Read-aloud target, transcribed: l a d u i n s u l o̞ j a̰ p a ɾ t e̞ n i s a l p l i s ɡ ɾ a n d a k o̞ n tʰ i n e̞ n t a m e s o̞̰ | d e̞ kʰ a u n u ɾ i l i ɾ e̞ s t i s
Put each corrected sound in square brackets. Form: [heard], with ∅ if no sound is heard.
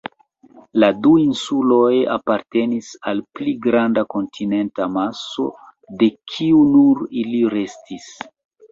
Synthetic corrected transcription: l a d u i n s u l o̞ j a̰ p a ɾ t e̞ n i s a l p l i [∅] ɡ ɾ a n d a k o̞ n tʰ i n e̞ n t a m [a] s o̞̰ | d e̞ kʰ [i] u n u ɾ i l i ɾ e̞ s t i s